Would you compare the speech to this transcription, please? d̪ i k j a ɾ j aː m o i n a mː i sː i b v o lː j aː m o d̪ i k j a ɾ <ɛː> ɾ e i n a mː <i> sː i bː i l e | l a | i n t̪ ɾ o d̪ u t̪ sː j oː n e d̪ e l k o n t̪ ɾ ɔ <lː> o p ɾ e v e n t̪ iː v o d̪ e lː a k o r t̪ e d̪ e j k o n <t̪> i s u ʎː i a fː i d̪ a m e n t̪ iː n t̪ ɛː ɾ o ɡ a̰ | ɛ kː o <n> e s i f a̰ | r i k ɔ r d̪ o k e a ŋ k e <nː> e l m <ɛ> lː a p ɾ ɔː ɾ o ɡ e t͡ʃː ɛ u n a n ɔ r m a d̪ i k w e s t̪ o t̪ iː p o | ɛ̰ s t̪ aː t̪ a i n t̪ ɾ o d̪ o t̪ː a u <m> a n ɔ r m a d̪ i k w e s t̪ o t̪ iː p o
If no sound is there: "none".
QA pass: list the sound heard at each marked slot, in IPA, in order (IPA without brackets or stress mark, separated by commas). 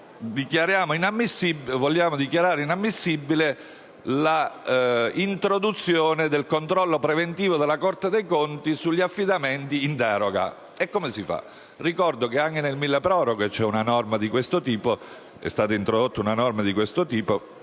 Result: aː, i, lː, t̪, m, n, i, n